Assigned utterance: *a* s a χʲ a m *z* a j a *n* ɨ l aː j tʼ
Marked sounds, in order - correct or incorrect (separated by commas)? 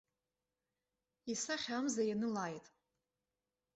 incorrect, correct, correct